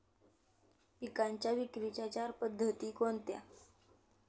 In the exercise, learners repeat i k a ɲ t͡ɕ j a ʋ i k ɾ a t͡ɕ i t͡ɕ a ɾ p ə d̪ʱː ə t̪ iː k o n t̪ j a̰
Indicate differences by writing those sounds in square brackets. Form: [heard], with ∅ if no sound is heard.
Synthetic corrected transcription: i k a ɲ t͡ɕ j a ʋ i k ɾ [i] t͡ɕ [a] t͡ɕ a ɾ p ə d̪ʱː ə t̪ iː k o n t̪ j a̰